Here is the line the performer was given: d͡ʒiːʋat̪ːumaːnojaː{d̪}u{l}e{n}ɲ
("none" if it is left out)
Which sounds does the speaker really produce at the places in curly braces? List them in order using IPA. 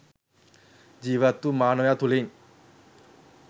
t̪, l, none

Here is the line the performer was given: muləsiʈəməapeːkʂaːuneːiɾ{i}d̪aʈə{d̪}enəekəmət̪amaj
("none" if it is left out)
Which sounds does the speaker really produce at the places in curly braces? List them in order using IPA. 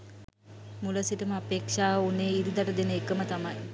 i, d̪

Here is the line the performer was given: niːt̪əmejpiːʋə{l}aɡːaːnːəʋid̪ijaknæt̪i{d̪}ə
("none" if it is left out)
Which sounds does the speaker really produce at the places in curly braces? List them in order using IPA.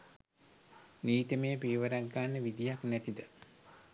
ɾ, d̪

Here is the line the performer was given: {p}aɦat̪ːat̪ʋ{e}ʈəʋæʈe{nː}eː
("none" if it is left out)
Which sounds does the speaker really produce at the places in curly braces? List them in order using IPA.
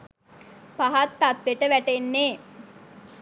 p, e, nː

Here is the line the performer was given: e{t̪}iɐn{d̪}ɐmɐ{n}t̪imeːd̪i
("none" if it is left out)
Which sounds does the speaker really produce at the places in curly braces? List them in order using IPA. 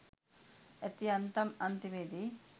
t̪, t̪, n

